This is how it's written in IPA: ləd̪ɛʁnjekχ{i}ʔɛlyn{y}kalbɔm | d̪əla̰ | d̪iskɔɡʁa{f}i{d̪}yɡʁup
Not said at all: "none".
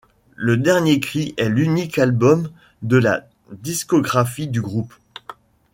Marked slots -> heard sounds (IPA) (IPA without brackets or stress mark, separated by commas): i, i, f, d̪